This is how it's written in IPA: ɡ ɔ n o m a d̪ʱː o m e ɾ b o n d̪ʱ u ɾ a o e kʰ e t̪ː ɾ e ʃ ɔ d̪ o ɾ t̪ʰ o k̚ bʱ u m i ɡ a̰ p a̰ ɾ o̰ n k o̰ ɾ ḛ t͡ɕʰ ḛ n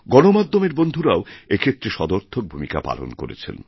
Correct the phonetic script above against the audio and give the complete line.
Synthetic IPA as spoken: ɡ ɔ n o m a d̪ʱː o m e ɾ b o n d̪ʱ u ɾ a o e kʰ e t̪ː ɾ e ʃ ɔ d̪ o ɾ t̪ʰ o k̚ bʱ u m i k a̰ p a̰ l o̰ n k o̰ ɾ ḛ t͡ɕʰ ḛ n